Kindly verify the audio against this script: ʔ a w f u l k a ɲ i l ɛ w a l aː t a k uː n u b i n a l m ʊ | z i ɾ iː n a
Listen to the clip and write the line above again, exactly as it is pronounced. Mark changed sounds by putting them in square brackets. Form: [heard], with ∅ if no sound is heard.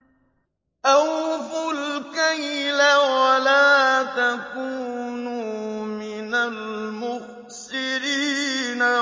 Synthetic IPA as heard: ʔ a w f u l k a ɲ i l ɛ w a l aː t a k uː n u [m] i n a l m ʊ | [s] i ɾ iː n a